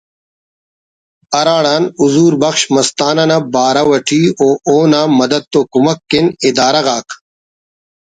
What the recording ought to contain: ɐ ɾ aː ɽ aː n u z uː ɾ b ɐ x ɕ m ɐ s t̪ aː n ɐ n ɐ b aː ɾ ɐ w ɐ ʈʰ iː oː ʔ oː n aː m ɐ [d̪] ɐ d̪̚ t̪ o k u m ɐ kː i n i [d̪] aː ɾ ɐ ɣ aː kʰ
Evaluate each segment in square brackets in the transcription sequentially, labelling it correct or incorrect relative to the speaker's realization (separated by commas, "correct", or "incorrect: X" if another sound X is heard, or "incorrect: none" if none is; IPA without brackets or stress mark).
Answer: correct, correct